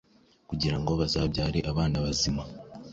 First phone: k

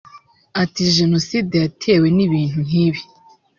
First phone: a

